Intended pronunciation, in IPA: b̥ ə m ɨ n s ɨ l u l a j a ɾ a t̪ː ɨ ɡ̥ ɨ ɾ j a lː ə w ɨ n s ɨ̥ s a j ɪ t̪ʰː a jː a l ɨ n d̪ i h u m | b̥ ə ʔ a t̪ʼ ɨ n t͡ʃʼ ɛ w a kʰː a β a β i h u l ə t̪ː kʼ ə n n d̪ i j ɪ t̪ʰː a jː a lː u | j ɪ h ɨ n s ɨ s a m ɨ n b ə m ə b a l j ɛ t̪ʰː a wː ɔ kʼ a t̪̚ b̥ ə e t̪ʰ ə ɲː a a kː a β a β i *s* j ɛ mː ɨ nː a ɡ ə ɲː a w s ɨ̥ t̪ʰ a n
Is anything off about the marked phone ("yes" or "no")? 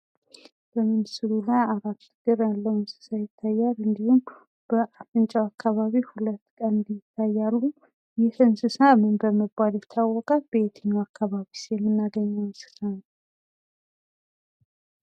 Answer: no